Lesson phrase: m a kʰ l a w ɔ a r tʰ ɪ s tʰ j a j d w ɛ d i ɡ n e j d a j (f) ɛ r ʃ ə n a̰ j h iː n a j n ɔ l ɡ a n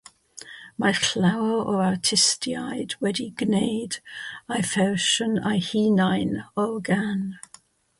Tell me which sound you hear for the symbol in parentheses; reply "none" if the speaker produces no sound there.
f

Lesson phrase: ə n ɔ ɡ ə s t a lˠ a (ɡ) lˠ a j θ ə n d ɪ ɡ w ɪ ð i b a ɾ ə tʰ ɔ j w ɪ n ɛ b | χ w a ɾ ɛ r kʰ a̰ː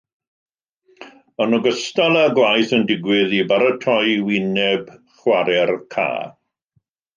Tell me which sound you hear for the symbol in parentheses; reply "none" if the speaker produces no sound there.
ɡ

